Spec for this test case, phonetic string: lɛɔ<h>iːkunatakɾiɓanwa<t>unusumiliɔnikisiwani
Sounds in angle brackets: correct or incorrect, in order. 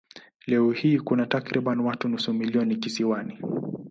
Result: correct, correct

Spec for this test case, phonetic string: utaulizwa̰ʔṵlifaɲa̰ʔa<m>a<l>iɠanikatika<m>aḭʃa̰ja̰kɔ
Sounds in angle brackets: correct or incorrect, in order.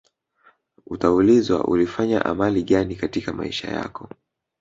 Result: correct, correct, correct

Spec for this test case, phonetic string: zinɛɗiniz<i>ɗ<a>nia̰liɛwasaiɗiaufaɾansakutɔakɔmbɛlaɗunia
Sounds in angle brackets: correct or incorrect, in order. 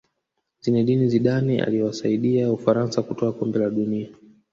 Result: correct, correct

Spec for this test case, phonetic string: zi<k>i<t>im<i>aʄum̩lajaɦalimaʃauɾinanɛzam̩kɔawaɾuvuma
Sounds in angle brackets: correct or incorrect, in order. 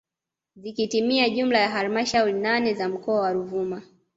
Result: correct, correct, correct

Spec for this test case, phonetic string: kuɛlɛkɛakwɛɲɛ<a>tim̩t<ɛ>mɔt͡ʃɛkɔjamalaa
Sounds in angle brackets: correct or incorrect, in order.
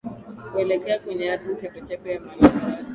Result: correct, correct

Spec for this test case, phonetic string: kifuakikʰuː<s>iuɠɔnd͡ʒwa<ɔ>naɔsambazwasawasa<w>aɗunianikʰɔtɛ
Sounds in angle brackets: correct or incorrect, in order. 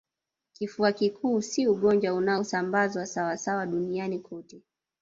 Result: correct, incorrect, correct

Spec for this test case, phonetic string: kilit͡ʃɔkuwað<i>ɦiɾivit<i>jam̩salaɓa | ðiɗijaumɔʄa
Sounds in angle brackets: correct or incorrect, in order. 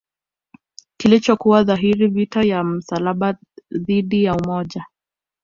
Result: incorrect, incorrect

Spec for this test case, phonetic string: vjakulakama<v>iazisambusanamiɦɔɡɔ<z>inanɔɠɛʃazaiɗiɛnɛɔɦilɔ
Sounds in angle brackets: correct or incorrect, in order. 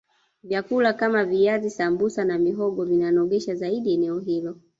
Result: correct, incorrect

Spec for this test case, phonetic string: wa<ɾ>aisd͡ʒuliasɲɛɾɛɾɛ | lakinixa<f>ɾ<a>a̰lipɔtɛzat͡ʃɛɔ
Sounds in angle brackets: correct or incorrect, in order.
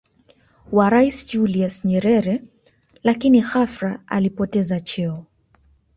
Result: correct, correct, correct

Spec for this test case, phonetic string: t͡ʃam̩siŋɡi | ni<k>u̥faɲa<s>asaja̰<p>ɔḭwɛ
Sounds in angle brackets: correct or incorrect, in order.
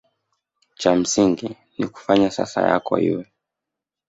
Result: correct, correct, incorrect

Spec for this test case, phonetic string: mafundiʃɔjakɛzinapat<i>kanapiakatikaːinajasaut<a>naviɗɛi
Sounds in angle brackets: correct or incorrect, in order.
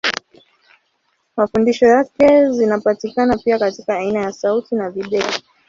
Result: correct, incorrect

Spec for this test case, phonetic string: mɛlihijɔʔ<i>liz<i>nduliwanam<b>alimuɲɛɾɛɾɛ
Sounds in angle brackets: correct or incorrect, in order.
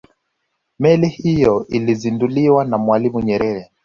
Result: correct, correct, incorrect

